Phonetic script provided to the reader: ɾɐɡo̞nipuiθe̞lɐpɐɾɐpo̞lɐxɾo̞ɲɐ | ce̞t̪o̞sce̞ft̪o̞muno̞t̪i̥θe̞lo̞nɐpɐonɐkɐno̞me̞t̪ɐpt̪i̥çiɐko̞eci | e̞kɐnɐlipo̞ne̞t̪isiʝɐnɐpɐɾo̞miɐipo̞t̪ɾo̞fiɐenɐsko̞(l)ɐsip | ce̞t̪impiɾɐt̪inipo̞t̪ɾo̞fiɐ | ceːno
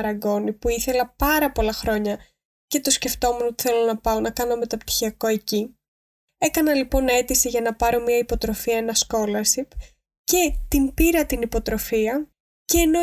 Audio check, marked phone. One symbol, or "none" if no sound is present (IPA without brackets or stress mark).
l